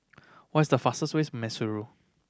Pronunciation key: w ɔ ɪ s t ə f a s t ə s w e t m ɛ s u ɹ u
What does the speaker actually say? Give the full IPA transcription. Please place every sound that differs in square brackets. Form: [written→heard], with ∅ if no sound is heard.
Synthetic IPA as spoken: w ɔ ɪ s [t→d] ə f a s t ə s w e [t→s] m ɛ s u ɹ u